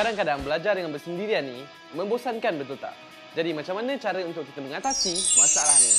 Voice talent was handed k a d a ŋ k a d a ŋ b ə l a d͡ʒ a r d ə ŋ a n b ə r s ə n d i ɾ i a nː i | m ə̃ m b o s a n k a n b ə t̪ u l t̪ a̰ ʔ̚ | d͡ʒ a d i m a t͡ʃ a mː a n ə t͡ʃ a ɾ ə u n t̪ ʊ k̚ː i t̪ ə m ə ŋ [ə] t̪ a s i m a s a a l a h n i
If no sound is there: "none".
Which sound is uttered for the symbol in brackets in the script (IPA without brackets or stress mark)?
a